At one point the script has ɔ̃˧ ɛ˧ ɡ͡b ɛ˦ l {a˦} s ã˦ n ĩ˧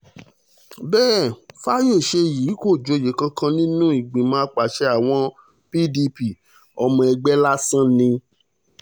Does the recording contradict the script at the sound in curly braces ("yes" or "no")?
no